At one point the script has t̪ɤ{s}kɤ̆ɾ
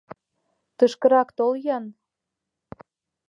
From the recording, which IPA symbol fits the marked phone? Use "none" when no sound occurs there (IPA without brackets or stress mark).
ʃ